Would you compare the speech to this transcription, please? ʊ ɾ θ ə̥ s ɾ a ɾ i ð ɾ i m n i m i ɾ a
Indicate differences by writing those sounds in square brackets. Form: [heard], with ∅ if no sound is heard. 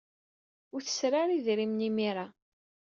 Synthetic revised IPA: ʊ ɾ θ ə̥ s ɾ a ɾ i ð ɾ i m n i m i ɾ a